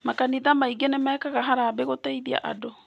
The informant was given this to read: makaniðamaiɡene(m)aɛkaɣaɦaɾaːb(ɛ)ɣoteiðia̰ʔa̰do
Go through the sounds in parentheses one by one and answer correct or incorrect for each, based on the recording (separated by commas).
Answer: correct, incorrect